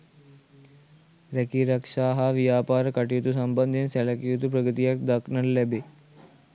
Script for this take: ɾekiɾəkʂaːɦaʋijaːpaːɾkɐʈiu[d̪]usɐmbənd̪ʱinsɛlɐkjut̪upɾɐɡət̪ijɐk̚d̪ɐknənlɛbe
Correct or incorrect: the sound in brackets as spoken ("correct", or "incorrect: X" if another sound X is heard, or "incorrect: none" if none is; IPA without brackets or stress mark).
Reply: incorrect: t̪